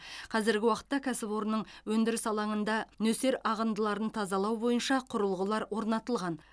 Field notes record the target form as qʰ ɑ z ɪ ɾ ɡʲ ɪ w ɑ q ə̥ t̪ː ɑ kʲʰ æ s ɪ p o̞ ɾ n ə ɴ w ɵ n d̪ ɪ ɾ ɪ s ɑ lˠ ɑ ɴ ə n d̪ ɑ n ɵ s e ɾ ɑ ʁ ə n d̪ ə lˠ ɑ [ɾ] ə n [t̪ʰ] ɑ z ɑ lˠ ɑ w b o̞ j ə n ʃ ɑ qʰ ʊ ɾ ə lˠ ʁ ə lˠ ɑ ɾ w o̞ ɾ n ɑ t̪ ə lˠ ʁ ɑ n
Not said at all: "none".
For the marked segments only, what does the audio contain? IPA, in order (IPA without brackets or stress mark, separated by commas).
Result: ɾ, t̪ʰ